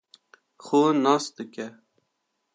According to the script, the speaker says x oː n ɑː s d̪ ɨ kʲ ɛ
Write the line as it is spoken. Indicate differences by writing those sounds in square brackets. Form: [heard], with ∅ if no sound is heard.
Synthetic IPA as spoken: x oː n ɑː s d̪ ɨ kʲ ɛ